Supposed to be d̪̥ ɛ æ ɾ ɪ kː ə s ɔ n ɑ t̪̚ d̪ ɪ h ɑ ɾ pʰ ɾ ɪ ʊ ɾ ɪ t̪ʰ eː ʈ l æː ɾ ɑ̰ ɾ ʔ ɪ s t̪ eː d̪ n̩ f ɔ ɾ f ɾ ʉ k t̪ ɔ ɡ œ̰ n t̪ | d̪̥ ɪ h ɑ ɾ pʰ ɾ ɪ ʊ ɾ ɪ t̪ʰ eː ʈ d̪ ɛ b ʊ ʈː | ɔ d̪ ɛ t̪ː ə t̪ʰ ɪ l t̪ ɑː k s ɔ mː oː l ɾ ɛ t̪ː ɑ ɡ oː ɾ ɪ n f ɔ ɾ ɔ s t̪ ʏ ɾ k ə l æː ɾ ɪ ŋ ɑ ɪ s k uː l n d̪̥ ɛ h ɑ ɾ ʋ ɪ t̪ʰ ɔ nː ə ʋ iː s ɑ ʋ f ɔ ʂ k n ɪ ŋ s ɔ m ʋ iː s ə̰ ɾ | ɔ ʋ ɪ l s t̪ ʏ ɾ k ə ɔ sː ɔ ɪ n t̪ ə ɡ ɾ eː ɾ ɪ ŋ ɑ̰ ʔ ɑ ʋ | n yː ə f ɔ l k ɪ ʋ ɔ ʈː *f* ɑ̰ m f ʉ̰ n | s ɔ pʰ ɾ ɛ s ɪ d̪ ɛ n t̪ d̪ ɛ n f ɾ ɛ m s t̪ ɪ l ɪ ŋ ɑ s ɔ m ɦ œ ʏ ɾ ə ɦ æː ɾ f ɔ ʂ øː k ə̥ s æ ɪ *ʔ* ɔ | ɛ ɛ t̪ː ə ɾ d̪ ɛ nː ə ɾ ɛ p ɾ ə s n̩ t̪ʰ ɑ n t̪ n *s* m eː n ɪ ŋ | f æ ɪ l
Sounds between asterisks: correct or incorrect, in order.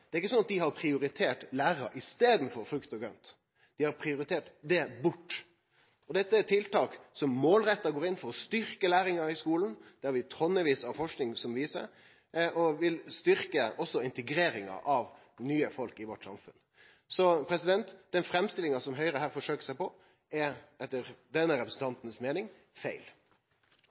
incorrect: s, incorrect: p, correct

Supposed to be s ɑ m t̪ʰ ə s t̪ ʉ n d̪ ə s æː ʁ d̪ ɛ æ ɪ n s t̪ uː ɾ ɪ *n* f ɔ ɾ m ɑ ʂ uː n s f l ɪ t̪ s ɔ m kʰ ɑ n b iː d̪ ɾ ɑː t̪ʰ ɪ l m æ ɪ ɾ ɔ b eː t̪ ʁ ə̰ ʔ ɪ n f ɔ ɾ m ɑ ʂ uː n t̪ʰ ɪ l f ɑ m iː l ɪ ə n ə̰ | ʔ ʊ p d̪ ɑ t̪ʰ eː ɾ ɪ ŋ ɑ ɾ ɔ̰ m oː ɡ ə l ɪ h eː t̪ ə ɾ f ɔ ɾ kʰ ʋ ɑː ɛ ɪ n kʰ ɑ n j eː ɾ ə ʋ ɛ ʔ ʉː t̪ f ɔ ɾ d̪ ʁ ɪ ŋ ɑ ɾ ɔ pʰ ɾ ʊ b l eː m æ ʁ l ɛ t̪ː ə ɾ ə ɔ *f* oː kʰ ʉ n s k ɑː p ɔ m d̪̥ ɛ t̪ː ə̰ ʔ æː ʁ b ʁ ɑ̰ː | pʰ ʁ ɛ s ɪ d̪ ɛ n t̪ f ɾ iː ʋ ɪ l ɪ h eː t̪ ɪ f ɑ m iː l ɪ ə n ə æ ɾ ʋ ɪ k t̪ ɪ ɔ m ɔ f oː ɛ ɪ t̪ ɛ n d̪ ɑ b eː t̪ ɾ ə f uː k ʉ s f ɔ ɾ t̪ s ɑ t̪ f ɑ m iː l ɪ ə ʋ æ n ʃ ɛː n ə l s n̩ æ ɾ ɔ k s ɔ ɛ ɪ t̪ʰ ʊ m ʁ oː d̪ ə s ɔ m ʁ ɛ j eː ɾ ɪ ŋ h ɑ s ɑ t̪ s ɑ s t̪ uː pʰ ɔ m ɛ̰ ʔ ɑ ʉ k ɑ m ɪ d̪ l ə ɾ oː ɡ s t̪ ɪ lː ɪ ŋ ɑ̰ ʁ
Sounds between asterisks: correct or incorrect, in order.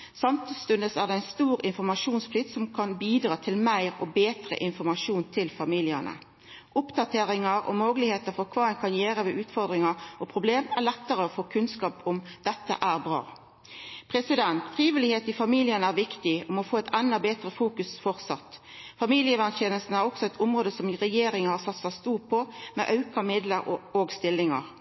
correct, correct

